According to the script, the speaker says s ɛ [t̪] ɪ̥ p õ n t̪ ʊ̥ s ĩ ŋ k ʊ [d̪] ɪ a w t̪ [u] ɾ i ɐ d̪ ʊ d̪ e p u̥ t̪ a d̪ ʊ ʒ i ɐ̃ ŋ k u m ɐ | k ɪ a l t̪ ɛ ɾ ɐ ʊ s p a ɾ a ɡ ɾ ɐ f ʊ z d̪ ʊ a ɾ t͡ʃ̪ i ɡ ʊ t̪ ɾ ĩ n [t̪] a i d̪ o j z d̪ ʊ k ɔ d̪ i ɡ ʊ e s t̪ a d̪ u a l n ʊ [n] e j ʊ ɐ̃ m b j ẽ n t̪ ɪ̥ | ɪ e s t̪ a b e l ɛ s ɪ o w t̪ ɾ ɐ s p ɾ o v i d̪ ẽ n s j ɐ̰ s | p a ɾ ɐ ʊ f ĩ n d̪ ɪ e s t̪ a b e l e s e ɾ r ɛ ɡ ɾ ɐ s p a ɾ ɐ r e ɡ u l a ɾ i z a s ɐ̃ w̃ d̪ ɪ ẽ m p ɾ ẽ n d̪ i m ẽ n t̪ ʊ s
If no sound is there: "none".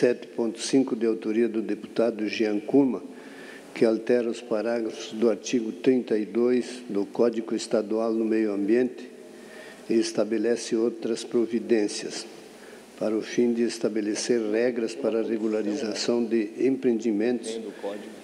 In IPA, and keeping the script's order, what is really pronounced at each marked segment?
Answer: t̪, d̪, o, t̪, m

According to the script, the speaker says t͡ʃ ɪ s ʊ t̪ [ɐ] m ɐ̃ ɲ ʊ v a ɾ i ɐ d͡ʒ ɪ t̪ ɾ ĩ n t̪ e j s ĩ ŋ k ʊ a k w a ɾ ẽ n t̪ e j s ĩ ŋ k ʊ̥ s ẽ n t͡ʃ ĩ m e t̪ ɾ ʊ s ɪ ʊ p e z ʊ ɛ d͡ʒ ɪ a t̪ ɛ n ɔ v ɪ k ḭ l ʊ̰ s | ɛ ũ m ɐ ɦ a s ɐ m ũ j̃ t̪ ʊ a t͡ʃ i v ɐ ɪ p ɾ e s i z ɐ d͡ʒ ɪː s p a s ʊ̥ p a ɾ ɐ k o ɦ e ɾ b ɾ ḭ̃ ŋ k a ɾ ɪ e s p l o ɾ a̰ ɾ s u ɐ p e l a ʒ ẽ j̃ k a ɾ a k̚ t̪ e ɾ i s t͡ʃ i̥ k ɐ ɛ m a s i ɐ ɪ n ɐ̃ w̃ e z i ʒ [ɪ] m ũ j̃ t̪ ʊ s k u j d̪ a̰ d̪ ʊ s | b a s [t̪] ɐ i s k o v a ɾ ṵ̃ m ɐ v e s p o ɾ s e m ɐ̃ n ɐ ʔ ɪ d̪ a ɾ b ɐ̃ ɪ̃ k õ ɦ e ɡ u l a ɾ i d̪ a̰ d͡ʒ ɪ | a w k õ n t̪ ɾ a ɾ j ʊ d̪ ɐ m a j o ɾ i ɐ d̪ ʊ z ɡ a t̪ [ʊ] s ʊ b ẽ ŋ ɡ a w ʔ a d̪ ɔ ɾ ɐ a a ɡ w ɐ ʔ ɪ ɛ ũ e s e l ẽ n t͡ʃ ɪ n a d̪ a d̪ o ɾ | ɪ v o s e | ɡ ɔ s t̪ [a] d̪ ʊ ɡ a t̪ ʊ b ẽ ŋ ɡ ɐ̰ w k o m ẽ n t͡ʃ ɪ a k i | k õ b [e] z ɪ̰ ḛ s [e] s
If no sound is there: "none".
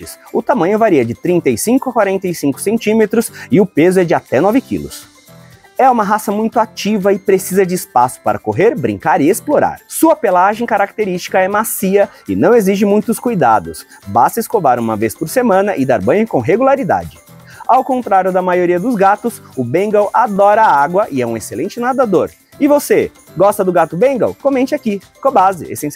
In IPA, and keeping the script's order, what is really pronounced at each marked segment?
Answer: a, ɪ, t̪, ʊ, ɐ, a, ẽ

